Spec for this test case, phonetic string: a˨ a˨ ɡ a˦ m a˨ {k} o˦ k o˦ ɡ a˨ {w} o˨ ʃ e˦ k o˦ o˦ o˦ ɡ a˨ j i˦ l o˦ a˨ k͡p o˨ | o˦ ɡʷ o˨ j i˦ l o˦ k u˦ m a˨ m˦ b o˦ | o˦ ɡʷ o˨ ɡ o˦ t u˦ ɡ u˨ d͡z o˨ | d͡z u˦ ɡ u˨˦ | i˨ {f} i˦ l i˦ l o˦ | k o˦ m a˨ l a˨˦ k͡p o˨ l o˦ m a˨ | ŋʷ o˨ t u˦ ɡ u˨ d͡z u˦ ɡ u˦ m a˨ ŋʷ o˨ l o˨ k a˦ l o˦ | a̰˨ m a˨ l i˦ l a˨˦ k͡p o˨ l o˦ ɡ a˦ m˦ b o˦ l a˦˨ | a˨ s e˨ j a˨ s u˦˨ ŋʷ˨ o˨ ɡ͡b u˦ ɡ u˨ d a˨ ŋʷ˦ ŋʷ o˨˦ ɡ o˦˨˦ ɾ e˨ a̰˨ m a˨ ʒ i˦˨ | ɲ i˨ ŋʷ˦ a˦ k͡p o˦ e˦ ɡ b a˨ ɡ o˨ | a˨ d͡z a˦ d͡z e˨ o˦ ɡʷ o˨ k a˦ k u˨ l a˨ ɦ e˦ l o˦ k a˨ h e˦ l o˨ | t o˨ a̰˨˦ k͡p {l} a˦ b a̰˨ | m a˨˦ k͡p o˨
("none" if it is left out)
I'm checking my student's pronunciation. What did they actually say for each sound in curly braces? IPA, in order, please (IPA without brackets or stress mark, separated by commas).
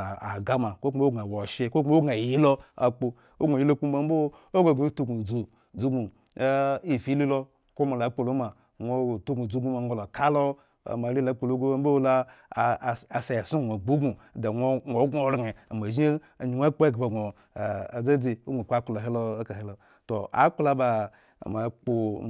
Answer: k, w, f, l